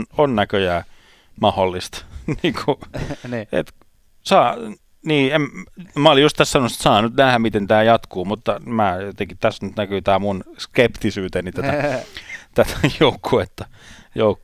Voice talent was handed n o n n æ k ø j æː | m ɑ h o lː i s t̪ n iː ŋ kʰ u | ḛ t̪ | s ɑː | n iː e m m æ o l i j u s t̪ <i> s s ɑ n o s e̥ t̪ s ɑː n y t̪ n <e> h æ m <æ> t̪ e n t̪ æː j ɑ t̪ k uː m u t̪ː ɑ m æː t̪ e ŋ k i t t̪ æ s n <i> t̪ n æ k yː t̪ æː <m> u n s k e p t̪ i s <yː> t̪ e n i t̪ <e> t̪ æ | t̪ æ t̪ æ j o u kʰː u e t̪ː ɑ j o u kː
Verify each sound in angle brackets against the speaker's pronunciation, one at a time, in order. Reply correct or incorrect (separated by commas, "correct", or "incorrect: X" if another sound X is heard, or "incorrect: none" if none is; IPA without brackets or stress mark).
incorrect: æ, incorrect: æ, incorrect: i, incorrect: y, correct, correct, incorrect: æ